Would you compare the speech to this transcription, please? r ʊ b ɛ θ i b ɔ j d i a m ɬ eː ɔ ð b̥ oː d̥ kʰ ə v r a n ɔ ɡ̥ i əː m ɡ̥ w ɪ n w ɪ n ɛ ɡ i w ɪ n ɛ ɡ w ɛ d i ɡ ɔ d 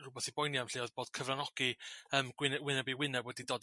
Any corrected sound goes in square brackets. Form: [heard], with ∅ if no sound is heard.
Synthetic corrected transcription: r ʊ b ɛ θ i b ɔ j [n] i a m ɬ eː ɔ ð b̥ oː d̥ kʰ ə v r a n ɔ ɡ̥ i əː m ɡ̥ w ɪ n w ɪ n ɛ [b] i w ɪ n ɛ [b] w ɛ d i [d] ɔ d